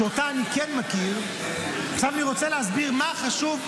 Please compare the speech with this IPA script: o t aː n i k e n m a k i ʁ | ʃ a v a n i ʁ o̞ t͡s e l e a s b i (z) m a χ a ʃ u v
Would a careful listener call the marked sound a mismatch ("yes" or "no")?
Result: yes